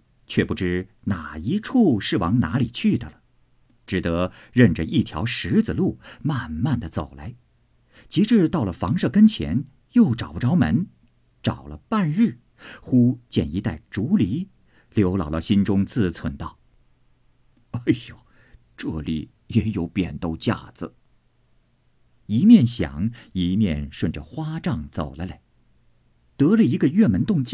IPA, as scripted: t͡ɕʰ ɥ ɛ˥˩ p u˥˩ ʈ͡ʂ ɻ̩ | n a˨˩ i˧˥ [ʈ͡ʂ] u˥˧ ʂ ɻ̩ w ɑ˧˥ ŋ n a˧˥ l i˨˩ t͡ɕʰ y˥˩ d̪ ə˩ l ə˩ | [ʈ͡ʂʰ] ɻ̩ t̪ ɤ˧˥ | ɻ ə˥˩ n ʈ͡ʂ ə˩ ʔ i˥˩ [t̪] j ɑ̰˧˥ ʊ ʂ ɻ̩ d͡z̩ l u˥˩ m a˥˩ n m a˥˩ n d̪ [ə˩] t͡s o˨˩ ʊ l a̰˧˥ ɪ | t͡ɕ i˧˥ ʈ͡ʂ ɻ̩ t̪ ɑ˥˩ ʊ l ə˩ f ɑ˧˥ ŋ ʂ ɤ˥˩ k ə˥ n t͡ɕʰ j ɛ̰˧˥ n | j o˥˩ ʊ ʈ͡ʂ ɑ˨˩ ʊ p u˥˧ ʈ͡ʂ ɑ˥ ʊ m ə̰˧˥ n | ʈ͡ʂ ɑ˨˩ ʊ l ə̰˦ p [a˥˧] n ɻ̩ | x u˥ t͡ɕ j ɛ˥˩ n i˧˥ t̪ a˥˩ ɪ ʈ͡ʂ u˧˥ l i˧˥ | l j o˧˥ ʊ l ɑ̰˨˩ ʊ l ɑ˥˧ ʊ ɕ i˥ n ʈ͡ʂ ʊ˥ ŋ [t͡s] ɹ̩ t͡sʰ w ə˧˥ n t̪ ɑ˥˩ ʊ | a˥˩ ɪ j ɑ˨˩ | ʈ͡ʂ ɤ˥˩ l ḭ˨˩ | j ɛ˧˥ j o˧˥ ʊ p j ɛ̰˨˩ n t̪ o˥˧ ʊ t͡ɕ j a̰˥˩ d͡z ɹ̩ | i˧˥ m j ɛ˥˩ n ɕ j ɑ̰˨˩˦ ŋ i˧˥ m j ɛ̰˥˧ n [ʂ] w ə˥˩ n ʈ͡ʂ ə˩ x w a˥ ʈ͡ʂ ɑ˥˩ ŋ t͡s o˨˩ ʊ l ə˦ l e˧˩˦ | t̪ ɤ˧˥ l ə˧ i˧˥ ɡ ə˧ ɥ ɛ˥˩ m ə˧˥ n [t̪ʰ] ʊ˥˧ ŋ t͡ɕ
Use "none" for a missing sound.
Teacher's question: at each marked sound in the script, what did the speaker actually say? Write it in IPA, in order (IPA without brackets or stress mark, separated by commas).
ʈ͡ʂʰ, ʈ͡ʂ, t̪ʰ, ə˩, a˥˧, t͡s, ʂ, t̪